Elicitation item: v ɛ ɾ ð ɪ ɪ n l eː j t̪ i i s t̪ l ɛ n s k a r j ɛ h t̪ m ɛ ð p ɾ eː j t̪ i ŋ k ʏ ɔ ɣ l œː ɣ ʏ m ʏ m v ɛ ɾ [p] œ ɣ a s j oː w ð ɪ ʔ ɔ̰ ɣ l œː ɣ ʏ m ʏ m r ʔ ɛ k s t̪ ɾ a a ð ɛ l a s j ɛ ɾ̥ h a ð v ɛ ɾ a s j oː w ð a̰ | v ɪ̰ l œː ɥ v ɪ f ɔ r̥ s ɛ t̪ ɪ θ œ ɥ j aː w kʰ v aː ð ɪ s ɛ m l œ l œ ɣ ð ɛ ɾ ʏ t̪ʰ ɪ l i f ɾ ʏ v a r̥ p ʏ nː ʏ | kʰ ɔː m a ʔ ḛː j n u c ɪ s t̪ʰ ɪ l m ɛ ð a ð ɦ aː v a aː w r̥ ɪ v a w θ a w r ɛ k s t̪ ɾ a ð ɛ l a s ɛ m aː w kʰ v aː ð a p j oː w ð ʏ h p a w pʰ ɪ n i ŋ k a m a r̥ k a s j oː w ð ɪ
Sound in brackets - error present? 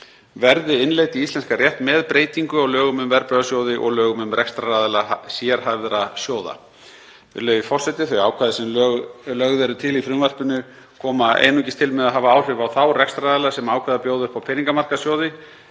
no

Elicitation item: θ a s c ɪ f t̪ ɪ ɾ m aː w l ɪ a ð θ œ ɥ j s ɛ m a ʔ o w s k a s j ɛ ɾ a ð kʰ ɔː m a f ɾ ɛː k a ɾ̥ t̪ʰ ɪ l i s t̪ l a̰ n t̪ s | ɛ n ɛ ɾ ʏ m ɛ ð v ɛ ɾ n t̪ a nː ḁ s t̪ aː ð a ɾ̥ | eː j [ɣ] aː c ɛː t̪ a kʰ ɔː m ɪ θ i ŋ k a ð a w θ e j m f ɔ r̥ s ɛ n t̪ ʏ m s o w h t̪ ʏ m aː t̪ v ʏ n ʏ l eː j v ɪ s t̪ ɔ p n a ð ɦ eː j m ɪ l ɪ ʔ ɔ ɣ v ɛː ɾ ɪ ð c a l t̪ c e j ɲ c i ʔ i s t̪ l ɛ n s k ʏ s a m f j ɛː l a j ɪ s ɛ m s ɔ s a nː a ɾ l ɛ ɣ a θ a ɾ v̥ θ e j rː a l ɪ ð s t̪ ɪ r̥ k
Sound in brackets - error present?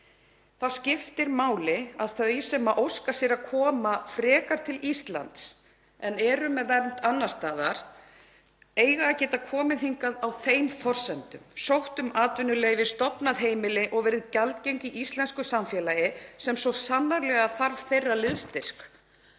no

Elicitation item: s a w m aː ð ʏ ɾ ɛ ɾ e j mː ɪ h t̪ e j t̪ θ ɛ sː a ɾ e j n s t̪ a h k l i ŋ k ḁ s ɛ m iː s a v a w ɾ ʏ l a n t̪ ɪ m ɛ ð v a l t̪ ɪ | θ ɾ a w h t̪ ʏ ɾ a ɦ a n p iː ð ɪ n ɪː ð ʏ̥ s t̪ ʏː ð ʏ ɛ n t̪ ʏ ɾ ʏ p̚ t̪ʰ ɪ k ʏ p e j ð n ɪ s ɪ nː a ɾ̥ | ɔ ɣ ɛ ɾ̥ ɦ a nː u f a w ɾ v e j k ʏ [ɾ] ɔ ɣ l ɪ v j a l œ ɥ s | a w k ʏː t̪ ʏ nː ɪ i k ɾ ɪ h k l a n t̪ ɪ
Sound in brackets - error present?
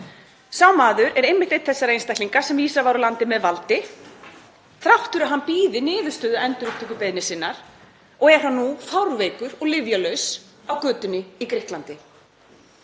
no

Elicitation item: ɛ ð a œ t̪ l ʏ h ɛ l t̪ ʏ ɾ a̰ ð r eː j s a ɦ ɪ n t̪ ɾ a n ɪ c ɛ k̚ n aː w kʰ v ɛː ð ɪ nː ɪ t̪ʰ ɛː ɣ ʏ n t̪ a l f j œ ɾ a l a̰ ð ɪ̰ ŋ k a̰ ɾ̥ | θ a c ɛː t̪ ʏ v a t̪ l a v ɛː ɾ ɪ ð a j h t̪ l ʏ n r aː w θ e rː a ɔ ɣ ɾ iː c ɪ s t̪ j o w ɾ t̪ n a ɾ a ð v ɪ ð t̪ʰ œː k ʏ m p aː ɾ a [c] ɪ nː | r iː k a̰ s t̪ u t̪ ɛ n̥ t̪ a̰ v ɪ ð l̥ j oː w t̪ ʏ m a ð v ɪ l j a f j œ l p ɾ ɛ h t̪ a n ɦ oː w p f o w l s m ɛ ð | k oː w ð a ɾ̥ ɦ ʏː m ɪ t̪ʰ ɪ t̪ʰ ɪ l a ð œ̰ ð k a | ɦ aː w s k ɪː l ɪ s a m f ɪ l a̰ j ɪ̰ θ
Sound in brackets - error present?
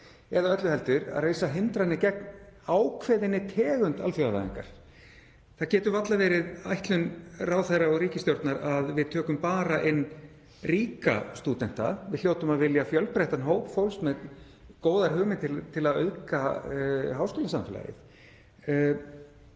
yes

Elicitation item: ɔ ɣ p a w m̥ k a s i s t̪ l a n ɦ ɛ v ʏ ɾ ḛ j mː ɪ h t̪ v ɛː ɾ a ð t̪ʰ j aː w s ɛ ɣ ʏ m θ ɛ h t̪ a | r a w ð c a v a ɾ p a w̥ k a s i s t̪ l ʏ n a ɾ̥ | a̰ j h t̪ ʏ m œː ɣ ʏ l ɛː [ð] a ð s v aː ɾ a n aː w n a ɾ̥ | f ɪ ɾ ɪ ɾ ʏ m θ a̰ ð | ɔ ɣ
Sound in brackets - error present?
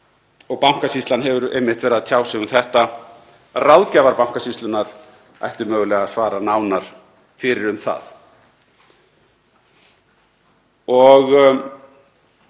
yes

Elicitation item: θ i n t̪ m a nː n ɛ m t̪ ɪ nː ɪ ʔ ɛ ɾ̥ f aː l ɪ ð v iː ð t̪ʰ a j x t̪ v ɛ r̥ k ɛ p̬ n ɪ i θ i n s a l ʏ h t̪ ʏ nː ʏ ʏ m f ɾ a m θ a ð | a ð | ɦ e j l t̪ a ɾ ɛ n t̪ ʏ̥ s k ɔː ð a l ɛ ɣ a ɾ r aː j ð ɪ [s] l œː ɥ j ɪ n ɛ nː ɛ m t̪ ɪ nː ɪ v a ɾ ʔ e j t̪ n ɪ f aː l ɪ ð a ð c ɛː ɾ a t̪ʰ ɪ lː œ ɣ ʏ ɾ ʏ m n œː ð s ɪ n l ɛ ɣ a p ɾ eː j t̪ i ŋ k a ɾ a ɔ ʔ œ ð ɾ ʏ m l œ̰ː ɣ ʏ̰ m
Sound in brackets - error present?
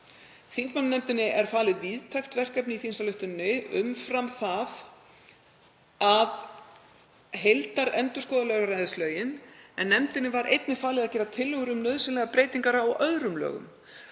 no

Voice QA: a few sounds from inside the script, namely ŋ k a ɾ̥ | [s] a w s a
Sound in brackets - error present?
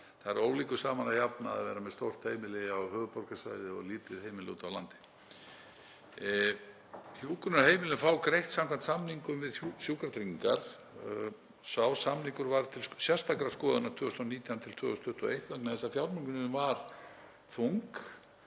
no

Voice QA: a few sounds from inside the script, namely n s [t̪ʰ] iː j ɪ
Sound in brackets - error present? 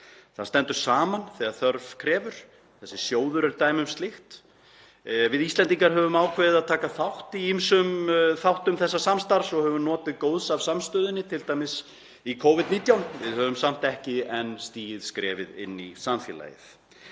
yes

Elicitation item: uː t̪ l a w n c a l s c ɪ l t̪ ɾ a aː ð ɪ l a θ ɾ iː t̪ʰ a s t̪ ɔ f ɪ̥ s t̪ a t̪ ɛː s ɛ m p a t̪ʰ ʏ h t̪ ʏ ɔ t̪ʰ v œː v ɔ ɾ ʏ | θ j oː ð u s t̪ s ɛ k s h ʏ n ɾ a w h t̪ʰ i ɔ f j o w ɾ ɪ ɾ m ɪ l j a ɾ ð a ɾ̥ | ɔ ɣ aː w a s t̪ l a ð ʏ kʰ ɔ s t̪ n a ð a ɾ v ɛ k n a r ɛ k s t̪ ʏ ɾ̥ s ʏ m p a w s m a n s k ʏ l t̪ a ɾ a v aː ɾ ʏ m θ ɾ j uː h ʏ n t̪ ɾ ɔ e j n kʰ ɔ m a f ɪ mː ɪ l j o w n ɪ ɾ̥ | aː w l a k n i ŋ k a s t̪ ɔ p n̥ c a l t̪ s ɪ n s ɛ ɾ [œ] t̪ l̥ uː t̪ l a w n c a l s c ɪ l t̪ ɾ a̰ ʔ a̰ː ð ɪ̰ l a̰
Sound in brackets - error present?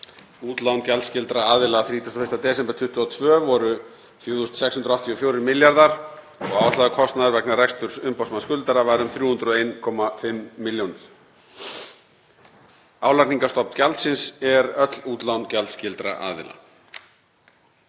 no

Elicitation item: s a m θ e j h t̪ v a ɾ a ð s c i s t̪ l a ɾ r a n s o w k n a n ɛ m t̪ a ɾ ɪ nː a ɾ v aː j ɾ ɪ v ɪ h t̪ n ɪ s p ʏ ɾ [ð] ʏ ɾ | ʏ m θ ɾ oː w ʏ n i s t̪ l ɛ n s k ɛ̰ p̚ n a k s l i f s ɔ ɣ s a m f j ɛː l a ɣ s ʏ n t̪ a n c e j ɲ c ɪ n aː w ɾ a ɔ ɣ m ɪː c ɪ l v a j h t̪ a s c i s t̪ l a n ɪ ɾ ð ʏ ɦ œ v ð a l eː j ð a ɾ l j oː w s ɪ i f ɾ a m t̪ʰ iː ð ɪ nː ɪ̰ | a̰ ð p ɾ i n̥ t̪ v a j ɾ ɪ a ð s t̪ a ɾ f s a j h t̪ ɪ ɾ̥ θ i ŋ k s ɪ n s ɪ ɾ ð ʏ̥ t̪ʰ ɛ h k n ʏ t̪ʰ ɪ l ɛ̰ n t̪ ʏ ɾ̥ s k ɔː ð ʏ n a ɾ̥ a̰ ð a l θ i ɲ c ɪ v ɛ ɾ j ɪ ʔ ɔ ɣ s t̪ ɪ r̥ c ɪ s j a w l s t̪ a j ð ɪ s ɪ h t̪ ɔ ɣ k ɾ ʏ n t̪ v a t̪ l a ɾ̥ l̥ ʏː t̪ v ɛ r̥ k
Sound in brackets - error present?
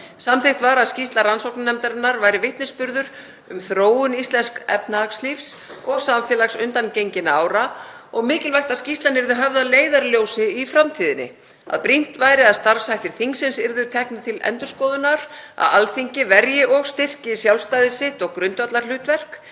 no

